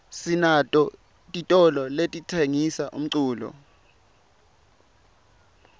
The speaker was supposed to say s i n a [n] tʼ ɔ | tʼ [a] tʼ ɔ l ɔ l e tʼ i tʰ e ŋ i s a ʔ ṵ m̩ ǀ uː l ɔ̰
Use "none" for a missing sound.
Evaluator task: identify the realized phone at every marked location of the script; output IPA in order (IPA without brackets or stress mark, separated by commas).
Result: none, i